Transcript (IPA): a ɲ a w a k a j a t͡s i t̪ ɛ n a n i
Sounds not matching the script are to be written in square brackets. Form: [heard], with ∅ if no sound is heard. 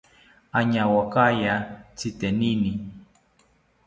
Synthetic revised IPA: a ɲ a w a k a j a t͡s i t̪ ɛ n [i] n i